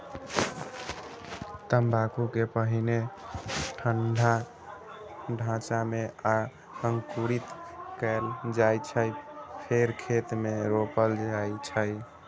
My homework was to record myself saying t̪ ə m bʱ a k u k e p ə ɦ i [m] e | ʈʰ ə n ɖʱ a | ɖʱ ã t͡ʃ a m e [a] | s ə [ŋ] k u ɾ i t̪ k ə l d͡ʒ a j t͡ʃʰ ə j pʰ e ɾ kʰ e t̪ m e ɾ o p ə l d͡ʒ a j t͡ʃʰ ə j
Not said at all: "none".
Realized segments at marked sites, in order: n, a, ŋ

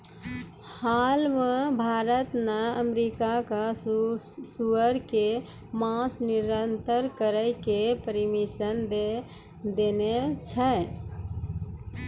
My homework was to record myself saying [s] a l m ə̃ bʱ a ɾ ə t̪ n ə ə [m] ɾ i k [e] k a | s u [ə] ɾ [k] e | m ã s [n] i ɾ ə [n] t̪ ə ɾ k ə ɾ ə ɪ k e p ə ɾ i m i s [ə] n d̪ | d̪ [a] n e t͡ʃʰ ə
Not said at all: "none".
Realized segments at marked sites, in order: h, m, a, ə, k, n, n, ə, e

